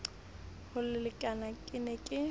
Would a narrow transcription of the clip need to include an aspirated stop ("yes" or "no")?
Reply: no